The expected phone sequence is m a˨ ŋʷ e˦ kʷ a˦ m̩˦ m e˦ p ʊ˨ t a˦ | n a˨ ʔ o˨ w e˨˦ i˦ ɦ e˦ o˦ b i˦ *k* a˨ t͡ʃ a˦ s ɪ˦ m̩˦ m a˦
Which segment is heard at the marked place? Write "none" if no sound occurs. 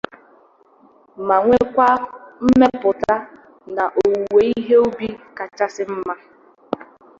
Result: k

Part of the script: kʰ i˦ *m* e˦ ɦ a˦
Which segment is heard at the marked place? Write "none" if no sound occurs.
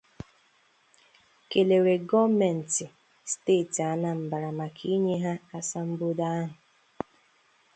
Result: ɲ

